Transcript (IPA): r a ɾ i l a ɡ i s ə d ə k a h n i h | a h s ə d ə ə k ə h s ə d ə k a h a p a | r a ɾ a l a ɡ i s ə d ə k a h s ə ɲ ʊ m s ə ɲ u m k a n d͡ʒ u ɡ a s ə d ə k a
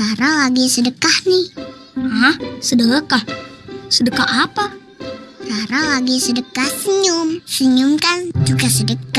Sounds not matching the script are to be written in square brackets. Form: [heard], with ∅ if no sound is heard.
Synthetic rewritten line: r a ɾ [a] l a ɡ i s ə d ə k a h n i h | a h s ə d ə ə k [a] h s ə d ə k a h a p a | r a ɾ a l a ɡ i s ə d ə k a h s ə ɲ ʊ m s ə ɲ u m k a n d͡ʒ u ɡ a s ə d ə k a